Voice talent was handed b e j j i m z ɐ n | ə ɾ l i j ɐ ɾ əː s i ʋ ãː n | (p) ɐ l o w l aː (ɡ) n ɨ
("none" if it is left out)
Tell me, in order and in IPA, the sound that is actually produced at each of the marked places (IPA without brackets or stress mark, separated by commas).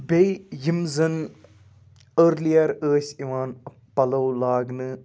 p, ɡ